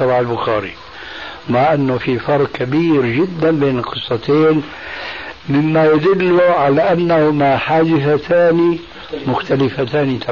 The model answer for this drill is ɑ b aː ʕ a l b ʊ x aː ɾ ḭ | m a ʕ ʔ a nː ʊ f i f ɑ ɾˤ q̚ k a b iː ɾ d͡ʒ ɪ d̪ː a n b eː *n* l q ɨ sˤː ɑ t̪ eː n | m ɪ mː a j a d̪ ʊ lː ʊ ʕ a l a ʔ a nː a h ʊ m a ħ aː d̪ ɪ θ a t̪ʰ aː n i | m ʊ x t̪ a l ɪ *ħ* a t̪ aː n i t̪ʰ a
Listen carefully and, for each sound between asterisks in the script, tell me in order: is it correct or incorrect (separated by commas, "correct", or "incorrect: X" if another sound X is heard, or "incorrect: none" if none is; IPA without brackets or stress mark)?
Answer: correct, incorrect: f